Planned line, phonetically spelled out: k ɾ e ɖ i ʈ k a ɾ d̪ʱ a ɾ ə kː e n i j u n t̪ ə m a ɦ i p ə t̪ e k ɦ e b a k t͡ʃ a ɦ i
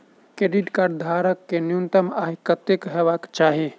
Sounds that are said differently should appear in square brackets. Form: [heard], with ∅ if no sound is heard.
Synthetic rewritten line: k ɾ e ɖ i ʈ k a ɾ d̪ʱ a ɾ ə kː e n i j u n t̪ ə m a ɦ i [k] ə t̪ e k ɦ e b a k t͡ʃ a ɦ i

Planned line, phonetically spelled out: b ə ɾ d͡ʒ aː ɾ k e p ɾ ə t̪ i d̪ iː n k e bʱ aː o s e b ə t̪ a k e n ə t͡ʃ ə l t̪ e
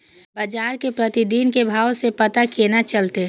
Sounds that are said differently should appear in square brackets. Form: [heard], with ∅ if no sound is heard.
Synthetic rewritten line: b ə [∅] d͡ʒ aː ɾ k e p ɾ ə t̪ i d̪ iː n k e bʱ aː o s e [p] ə t̪ a k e n [a] t͡ʃ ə l t̪ e

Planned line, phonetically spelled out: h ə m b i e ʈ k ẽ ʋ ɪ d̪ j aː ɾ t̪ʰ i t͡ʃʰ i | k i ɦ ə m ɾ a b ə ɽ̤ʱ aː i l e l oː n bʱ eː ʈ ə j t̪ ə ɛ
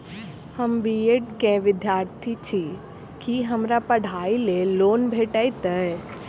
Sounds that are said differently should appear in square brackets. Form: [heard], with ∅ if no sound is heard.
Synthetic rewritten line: h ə m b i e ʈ k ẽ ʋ ɪ d̪ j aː ɾ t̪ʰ i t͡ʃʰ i | k i ɦ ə m ɾ a [p] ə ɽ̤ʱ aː i l e l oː n bʱ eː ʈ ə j t̪ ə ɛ

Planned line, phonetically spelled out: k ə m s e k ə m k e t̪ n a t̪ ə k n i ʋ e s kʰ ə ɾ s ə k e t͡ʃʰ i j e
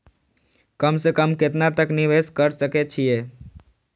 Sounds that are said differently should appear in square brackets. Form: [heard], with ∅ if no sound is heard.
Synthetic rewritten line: k ə m s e k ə m k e t̪ n a t̪ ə k n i ʋ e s [k] ə ɾ s ə k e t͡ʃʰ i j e

